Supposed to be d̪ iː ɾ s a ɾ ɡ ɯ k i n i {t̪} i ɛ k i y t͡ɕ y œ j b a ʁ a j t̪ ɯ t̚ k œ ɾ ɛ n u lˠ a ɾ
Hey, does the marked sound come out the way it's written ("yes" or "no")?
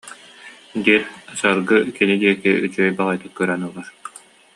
no